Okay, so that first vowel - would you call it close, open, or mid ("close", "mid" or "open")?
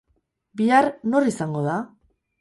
close